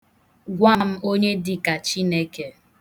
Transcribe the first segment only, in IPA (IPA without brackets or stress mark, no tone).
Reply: ɡʷ